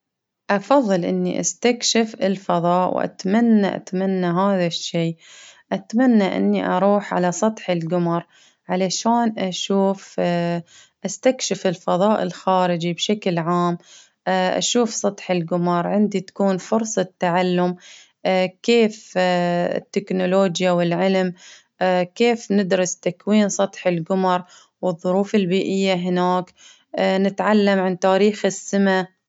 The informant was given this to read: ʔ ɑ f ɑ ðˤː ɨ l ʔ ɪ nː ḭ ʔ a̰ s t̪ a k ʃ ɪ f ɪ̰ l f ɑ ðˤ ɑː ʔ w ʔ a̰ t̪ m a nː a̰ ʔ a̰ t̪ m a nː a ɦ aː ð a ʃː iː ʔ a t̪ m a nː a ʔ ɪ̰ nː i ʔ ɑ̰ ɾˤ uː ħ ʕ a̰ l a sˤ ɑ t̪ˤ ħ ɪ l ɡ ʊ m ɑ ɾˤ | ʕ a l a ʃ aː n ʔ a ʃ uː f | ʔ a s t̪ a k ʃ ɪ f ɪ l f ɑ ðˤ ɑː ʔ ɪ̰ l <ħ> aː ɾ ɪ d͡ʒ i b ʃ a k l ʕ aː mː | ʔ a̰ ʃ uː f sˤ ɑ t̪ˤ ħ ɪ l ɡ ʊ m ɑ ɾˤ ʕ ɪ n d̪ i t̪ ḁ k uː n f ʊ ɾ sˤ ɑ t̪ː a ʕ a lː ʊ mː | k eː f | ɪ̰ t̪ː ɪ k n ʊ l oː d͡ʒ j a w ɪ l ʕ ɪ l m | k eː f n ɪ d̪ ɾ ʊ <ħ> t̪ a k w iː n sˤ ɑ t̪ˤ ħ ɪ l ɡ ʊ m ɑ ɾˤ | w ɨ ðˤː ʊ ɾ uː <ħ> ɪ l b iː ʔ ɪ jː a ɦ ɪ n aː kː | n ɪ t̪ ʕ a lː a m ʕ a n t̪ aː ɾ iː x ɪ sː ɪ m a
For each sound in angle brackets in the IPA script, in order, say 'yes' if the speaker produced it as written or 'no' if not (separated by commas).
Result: no, no, no